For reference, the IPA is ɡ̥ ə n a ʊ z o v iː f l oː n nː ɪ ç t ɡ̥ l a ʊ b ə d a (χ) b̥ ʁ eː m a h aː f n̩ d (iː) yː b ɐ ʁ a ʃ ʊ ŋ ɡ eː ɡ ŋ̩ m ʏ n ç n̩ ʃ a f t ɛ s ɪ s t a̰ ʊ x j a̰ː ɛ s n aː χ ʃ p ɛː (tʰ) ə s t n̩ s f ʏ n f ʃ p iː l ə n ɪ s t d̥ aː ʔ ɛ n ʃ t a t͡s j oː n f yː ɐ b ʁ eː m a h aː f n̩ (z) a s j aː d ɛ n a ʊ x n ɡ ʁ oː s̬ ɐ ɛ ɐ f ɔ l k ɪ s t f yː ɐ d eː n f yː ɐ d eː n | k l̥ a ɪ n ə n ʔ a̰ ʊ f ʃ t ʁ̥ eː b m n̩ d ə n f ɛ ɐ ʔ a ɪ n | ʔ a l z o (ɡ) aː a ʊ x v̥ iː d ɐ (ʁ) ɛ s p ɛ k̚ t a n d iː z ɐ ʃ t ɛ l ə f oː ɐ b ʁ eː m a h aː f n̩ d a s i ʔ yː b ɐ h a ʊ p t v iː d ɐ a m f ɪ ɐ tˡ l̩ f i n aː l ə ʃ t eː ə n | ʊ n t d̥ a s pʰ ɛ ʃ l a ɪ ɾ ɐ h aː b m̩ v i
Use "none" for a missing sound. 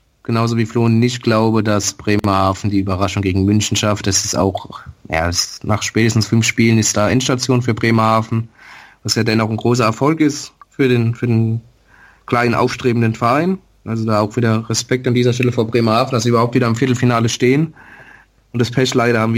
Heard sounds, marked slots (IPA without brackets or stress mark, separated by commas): s, iː, t, v, d, ʁ